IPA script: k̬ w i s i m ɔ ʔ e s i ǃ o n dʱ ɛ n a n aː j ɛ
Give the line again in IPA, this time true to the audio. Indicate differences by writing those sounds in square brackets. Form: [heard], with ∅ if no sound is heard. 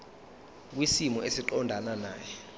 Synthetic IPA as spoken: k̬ w i s i m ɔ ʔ e s i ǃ [ɔ] n dʱ [a] n a n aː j ɛ